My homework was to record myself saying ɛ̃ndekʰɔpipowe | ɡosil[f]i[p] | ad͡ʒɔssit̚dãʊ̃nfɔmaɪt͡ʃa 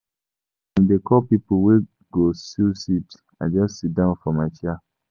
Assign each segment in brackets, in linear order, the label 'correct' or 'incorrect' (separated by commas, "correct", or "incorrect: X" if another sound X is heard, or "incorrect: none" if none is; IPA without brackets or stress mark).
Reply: incorrect: s, incorrect: t